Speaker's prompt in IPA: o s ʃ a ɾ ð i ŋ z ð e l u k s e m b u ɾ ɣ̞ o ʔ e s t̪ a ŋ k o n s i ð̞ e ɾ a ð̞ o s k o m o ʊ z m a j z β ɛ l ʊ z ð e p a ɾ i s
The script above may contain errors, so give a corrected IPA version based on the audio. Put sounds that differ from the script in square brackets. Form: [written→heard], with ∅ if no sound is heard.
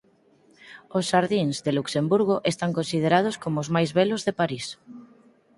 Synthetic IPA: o s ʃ a ɾ ð i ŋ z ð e l u k s e m b u ɾ ɣ̞ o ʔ e s t̪ a ŋ k o n s i ð̞ e ɾ a ð̞ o s k o m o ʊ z m a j z β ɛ l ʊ z ð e p a ɾ i s